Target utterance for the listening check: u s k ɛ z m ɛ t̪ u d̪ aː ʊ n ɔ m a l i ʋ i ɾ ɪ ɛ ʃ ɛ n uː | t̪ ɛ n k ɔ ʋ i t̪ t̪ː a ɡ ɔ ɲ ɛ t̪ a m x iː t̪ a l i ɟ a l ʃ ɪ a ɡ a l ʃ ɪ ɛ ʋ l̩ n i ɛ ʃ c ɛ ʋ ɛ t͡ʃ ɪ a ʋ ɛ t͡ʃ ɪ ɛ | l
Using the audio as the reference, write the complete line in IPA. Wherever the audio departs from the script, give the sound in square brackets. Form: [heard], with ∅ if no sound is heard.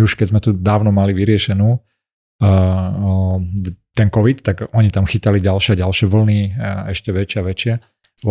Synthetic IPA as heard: u [ʃ] k ɛ z m ɛ t̪ u d̪ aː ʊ n ɔ m a l i ʋ i ɾ ɪ ɛ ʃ ɛ n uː | t̪ ɛ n k ɔ ʋ i t̪ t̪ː a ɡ ɔ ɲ [i] t̪ a m x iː t̪ a l i ɟ a l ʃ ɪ a [ɟ] a l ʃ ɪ ɛ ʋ l̩ n i ɛ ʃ c ɛ ʋ ɛ t͡ʃ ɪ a ʋ ɛ t͡ʃ ɪ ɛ | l